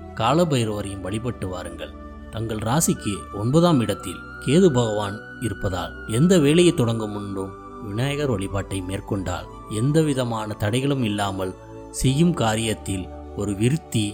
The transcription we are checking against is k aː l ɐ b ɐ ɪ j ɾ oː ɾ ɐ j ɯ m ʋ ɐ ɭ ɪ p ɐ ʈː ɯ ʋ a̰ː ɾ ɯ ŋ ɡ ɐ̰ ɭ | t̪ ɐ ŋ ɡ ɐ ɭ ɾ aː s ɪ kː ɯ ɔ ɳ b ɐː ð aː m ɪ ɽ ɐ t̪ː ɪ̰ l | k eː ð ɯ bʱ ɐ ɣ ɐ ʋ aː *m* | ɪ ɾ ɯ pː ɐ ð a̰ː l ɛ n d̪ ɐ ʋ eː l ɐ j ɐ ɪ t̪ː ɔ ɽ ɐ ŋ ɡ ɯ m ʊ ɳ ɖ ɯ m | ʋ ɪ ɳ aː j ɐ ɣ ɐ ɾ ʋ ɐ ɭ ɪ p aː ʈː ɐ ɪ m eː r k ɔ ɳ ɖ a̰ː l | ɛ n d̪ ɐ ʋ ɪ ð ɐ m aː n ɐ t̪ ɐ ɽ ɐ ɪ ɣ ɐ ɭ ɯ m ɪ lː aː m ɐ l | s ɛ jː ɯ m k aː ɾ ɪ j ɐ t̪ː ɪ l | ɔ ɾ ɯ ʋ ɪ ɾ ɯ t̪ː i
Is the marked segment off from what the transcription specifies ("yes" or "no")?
yes